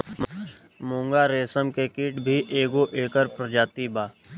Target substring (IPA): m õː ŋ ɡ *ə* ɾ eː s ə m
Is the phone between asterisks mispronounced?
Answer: yes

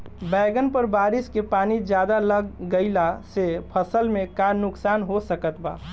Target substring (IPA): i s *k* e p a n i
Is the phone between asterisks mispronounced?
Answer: no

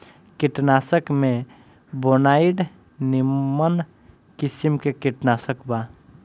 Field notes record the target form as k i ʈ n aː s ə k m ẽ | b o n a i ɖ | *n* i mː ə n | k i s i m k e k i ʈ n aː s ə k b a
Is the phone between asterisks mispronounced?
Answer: no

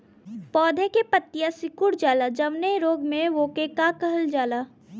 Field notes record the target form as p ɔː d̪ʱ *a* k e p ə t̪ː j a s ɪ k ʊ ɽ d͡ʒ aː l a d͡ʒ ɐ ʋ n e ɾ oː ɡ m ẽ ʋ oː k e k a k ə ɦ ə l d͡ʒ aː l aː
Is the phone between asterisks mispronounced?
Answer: yes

